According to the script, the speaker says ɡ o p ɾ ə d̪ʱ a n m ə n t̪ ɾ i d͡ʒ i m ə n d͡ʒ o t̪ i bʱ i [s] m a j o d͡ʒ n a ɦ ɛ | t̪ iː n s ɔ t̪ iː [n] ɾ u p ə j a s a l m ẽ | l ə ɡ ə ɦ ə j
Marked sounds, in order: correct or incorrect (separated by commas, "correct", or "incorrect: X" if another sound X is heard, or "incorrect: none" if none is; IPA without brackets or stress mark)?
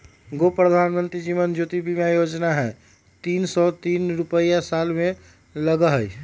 incorrect: none, correct